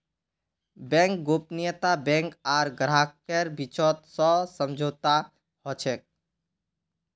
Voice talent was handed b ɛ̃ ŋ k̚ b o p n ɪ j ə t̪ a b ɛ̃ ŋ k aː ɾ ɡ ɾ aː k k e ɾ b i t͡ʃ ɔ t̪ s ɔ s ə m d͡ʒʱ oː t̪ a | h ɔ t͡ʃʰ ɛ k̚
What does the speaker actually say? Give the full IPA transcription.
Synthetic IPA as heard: b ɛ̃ ŋ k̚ ɡ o p n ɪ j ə t̪ a b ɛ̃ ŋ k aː ɾ ɡ ɾ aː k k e ɾ b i t͡ʃ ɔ t̪ s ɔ s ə m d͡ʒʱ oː t̪ a | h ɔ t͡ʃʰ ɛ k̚